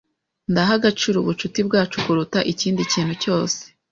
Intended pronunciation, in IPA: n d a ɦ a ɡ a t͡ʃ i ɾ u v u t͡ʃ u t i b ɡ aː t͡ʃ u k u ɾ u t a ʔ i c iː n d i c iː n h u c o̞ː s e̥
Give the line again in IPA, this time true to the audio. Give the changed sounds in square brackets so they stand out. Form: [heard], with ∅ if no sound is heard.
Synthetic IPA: n d a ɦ a ɡ a t͡ʃ i ɾ u [β] u t͡ʃ u t i b ɡ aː t͡ʃ u k u ɾ u t a ʔ i c iː n d i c iː n h u c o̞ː s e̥